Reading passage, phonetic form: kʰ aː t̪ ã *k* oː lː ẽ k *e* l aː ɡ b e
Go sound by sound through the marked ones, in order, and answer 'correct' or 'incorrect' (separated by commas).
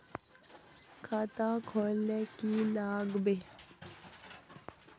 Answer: incorrect, incorrect